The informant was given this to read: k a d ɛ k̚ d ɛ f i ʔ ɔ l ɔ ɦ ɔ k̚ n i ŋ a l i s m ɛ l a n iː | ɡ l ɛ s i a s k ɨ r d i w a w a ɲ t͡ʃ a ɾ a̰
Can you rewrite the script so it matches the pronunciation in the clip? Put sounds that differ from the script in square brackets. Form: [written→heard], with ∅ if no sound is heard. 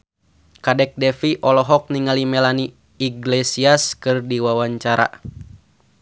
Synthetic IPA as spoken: k a d ɛ k̚ d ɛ f i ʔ ɔ l ɔ ɦ ɔ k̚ n i ŋ a l i [s→∅] m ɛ l a n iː | ɡ l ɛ s i a s k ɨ r d i w a w a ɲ t͡ʃ a ɾ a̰